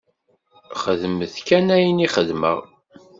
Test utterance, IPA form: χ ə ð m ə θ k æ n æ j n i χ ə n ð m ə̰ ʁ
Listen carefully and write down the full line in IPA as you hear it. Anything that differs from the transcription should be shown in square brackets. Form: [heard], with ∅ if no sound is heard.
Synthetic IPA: χ ə ð m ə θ k æ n æ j n i χ ə [∅] ð m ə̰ ʁ